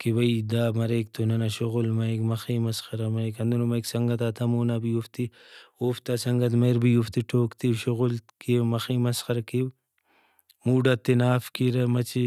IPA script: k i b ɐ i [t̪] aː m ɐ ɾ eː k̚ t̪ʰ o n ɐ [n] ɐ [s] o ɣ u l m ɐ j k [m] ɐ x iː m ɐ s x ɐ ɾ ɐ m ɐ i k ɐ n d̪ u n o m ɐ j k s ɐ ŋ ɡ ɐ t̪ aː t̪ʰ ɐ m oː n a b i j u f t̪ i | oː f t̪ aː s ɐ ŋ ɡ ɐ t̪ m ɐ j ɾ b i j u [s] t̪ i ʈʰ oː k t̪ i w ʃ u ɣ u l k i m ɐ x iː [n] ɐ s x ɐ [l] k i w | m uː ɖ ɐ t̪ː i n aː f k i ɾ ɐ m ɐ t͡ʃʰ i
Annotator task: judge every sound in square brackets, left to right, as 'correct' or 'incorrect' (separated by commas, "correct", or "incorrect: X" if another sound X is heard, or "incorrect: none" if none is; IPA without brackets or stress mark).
incorrect: d̪, correct, incorrect: ʃ, correct, incorrect: f, incorrect: m, incorrect: ɾ